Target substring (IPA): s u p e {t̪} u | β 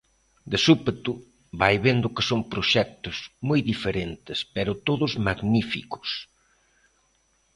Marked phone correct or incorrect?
correct